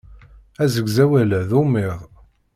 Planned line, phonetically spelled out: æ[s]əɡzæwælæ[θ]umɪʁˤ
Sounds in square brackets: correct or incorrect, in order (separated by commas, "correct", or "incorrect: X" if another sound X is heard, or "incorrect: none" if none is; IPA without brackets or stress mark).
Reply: incorrect: z, incorrect: ð